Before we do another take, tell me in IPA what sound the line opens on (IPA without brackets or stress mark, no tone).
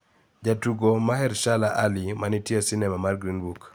d͡ʒ